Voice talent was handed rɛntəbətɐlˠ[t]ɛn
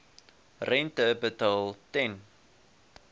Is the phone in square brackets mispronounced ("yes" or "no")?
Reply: no